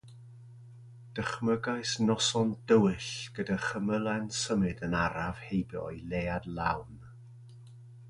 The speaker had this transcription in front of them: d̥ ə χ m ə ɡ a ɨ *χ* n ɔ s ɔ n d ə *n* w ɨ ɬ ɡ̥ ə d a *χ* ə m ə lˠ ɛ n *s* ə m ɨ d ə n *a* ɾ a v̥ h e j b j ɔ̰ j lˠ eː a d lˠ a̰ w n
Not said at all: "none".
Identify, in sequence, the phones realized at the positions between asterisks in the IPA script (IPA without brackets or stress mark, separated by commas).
s, none, χ, s, a